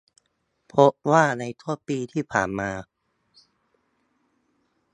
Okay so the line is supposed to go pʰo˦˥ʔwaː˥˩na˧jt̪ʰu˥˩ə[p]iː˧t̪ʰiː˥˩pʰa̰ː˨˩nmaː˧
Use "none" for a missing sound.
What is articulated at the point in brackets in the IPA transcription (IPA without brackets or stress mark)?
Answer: p